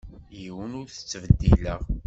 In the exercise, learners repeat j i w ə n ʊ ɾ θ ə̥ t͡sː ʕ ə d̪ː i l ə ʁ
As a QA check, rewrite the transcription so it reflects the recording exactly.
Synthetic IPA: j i w ə n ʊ ɾ θ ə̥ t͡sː v ə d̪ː i l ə ʁ